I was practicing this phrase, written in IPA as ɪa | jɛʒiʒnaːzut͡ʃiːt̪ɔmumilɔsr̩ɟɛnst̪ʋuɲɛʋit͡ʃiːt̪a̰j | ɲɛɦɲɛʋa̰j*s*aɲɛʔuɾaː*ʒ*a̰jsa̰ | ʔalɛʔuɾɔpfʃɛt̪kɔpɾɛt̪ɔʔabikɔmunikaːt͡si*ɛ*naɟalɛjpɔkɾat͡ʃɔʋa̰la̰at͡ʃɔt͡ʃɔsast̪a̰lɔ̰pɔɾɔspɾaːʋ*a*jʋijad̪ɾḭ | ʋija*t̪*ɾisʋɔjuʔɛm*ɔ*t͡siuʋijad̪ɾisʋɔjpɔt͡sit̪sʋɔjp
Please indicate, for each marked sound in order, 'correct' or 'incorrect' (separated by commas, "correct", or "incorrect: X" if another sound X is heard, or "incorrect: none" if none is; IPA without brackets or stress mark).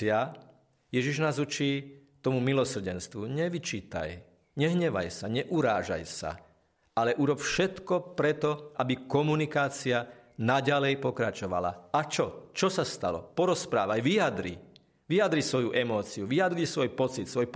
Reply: correct, correct, incorrect: a, correct, incorrect: d̪, incorrect: ɔː